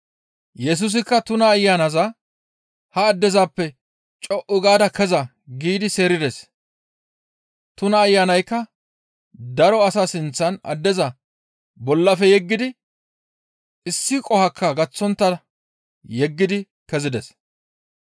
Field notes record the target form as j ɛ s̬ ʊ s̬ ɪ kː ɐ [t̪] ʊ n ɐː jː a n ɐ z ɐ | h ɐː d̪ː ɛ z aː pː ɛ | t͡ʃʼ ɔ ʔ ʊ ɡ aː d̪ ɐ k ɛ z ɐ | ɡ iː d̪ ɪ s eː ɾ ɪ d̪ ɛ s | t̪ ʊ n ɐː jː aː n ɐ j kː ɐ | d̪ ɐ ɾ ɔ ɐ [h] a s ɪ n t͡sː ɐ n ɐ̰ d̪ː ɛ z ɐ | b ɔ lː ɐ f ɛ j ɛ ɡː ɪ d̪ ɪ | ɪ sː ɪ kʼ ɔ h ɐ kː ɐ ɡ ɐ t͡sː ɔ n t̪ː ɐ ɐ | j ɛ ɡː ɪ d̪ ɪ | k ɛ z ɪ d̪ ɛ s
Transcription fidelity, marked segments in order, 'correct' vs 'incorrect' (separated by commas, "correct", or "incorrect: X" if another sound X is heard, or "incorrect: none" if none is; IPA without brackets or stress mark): correct, incorrect: s